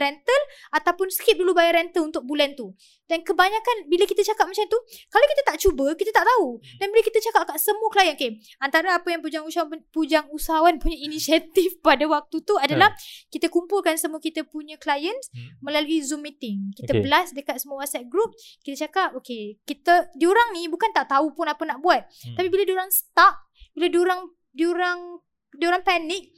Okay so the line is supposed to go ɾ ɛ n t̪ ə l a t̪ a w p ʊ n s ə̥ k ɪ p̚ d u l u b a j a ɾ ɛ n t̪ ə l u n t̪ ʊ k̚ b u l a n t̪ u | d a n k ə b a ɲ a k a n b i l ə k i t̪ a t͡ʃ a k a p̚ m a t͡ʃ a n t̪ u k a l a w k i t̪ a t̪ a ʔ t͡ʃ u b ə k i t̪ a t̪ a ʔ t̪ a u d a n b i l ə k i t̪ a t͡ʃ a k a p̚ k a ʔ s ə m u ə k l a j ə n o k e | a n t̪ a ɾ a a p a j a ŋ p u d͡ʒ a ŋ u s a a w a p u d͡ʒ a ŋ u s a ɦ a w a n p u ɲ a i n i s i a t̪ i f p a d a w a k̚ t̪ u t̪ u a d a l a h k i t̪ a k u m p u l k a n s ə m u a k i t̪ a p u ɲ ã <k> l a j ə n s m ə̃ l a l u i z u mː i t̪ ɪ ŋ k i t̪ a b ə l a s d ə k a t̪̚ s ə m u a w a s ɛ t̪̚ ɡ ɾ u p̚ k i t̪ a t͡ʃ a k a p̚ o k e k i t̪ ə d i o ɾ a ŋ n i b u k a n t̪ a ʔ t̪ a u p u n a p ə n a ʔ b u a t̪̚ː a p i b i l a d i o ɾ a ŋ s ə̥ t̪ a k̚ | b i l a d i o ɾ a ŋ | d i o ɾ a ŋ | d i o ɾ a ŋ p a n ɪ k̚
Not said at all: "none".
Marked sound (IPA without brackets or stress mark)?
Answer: k